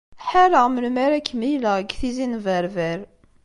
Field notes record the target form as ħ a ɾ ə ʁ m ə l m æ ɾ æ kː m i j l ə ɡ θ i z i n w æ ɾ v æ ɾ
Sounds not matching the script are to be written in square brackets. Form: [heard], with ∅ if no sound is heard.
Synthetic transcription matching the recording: ħ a ɾ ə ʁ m ə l m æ ɾ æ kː m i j l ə ɡ θ i z i n [v] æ ɾ v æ ɾ